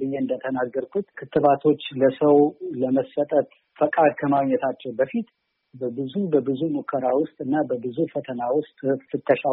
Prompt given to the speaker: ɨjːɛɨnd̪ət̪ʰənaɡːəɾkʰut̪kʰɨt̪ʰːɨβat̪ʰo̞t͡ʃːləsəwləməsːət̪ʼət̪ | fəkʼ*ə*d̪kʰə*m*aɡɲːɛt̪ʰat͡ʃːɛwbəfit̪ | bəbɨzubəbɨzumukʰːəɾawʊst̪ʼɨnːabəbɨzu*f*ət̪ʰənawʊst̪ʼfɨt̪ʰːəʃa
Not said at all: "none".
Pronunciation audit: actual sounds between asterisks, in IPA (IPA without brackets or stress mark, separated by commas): a, m, f